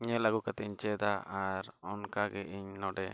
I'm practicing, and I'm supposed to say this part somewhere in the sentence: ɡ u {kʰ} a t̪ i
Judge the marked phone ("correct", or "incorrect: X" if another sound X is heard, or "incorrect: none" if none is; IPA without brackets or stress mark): incorrect: k